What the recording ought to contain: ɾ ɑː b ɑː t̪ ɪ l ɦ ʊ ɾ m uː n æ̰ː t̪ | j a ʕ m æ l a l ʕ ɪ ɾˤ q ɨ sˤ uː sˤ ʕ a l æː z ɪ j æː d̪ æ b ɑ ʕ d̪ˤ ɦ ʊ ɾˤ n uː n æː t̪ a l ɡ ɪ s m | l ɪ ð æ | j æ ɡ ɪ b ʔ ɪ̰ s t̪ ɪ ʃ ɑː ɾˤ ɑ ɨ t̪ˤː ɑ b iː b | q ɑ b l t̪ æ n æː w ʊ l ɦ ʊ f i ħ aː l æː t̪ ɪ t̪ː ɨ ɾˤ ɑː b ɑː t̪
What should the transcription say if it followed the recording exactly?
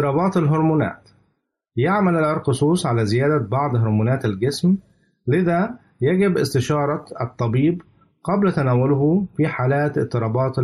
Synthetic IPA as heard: ɾ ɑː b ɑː t̪ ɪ l ɦ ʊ ɾ m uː n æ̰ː t̪ | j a ʕ m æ l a l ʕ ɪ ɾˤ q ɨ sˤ uː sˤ ʕ a l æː z ɪ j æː d̪ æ b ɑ ʕ d̪ˤ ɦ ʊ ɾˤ m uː n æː t̪ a l ɡ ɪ s m | l ɪ ð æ | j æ ɡ ɪ b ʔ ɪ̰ s t̪ ɪ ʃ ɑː ɾˤ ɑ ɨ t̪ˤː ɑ b iː b | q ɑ b l t̪ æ n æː w ʊ l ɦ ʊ f i ħ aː l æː t̪ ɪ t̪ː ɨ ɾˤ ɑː b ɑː t̪